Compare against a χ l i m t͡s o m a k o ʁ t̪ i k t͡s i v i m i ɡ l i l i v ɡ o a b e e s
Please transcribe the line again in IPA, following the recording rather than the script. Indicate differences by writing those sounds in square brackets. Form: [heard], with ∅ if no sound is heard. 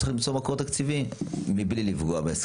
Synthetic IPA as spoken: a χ l i m t͡s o m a k o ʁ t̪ [a] k t͡s i v i m i [b] l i l i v ɡ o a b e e s